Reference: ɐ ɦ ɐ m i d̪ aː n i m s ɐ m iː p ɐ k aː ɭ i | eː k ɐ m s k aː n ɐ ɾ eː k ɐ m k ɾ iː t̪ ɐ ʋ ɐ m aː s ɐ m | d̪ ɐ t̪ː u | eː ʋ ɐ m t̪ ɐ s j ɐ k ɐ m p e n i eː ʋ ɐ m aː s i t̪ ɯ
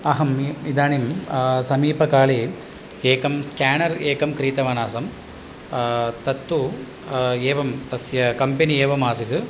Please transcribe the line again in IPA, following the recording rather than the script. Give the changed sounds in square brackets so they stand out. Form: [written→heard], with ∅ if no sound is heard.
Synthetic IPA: ɐ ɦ ɐ m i d̪ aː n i m s ɐ m iː p ɐ k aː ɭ i | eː k ɐ m s k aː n ɐ ɾ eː k ɐ m k ɾ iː t̪ ɐ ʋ ɐ [m→n] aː s ɐ m | [d̪→t̪] ɐ t̪ː u | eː ʋ ɐ m t̪ ɐ s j ɐ k ɐ m p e n i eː ʋ ɐ m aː s i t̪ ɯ